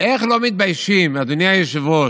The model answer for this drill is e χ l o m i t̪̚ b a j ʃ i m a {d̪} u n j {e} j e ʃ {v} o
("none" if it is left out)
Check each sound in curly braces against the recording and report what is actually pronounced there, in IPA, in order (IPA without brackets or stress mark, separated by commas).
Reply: d̪, a, v